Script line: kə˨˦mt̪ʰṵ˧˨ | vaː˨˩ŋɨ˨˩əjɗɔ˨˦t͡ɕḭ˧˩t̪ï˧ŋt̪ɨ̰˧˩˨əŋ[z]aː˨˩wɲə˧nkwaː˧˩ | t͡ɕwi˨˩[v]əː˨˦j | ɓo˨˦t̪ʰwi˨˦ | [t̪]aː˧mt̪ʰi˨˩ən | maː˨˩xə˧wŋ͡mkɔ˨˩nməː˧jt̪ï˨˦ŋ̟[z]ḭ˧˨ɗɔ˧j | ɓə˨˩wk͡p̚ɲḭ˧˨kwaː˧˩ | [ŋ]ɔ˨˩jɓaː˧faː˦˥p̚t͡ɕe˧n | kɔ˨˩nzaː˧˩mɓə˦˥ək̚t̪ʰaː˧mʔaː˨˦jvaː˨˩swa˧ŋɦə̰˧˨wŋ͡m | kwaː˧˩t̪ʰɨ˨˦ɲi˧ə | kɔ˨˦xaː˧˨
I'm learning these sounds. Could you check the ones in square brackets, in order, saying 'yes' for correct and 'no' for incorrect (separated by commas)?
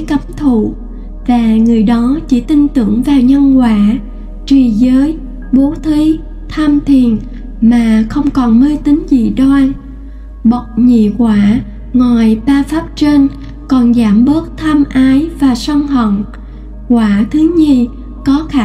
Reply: no, no, no, yes, yes